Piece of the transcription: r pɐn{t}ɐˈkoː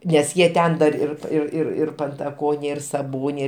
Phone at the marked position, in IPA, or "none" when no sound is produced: t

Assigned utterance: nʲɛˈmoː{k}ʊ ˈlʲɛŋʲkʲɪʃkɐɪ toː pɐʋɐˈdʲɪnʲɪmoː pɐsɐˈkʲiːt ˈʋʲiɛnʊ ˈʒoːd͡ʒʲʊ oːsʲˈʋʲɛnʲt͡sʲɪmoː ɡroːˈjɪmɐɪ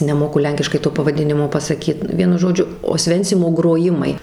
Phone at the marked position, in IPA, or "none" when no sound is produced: k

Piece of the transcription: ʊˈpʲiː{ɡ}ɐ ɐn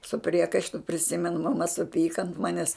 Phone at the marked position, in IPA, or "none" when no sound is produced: k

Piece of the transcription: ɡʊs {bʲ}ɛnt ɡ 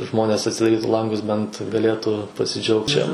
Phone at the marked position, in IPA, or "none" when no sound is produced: bʲ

